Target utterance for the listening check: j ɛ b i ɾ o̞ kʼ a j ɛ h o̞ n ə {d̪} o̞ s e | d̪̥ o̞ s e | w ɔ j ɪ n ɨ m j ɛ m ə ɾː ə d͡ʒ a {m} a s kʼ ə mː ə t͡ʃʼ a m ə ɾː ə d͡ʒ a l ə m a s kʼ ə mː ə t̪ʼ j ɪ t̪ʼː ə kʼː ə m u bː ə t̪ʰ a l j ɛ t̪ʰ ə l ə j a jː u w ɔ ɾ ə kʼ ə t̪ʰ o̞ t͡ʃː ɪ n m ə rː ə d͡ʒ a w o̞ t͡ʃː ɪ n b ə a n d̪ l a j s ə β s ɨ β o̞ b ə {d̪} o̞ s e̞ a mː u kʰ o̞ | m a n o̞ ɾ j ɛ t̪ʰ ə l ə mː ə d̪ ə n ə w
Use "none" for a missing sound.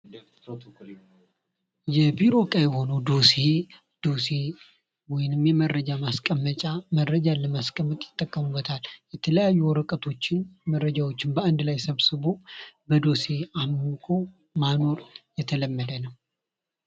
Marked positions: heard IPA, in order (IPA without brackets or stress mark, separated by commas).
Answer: d̪, m, d̪